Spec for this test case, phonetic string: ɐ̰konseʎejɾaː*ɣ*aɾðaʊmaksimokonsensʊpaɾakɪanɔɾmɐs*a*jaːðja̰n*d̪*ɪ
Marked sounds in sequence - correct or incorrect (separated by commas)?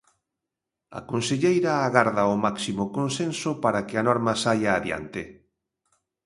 correct, correct, incorrect